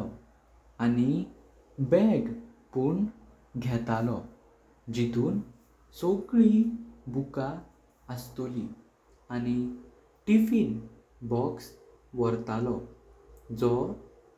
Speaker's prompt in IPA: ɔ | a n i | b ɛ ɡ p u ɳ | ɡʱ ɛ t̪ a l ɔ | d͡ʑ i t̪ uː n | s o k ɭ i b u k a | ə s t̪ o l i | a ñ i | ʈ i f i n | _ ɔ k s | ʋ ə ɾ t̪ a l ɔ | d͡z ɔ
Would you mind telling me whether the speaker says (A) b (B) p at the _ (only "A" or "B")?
A